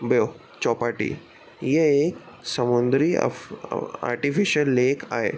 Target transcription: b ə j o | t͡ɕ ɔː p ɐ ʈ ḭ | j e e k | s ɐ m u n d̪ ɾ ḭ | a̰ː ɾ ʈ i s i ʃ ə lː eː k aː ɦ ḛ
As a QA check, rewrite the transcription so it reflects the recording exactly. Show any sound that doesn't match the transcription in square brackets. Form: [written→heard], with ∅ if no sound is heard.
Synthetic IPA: b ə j o | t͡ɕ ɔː p [ɐ→a] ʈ ḭ | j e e k | s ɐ m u n d̪ ɾ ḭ | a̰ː ɾ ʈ i [s→f] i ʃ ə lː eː k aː ɦ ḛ